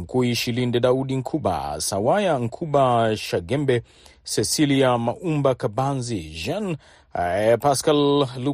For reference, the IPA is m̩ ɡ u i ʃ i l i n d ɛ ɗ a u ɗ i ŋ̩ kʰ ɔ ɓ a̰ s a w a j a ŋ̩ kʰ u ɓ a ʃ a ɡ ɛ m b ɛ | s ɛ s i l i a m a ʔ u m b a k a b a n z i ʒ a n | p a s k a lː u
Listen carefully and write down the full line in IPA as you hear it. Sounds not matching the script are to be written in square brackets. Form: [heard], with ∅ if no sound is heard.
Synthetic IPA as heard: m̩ [k] u i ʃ i l i n d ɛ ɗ a u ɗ i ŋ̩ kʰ [u] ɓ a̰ s a w a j a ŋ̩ kʰ u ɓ a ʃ a ɡ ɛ m b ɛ | s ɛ s i l i a m a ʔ u m b a k a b a n z i ʒ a n | p a s k a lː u